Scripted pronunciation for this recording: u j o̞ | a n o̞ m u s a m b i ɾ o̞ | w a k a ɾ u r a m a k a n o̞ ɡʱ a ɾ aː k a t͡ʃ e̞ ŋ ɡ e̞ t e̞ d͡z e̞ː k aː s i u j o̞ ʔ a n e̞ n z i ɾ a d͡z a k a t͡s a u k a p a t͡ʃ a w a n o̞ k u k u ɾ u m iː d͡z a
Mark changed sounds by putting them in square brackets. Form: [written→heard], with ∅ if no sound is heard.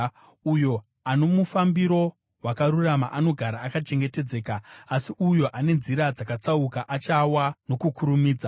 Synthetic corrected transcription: u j o̞ | a n o̞ m u [s→f] a m b i ɾ o̞ | w a k a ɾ u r a m a [k→ʔ] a n o̞ ɡʱ a ɾ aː k a t͡ʃ e̞ ŋ ɡ e̞ t e̞ d͡z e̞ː k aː s i u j o̞ ʔ a n e̞ n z i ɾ a d͡z a k a t͡s a u k a [p→ʔ] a t͡ʃ a w a n o̞ k u k u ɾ u m iː d͡z a